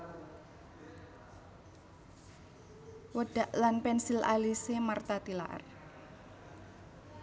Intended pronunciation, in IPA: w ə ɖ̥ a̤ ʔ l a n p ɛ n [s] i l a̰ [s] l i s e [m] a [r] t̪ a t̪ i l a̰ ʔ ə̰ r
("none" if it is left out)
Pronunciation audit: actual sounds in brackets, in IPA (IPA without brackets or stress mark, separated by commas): s, none, m, r